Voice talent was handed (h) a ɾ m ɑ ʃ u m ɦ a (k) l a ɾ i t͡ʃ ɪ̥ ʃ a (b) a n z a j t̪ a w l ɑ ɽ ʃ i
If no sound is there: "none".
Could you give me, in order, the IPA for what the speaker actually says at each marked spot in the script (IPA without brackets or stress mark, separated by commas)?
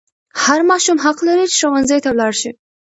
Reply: h, q, w